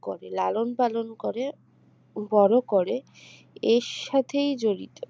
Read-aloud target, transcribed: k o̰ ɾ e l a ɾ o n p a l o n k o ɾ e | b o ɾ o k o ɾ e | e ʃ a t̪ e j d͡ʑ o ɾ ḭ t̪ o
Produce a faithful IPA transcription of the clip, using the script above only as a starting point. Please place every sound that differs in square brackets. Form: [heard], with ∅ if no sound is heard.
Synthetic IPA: k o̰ ɾ e l a [l] o n p a l o n k o ɾ e | b [ɔ] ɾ o k o ɾ e | e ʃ a [t̪ʰ] e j d͡ʑ o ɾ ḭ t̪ o